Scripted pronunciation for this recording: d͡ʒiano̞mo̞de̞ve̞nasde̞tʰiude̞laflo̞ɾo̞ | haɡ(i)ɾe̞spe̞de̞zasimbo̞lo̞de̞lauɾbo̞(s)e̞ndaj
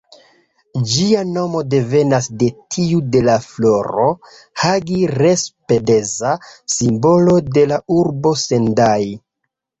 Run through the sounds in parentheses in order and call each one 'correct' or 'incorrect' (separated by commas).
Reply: correct, correct